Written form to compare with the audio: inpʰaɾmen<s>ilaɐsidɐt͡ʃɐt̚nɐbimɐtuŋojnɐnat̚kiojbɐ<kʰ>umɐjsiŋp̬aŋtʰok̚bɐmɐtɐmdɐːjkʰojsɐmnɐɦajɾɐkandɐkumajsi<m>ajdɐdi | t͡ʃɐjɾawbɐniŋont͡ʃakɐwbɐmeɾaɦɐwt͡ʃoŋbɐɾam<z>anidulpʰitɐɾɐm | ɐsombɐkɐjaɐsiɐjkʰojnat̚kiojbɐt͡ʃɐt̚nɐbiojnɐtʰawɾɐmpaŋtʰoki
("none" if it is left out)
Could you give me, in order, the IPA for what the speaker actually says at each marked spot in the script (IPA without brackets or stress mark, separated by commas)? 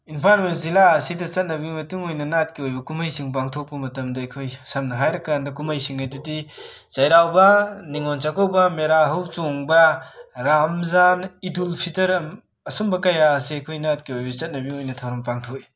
z, k, ŋ, z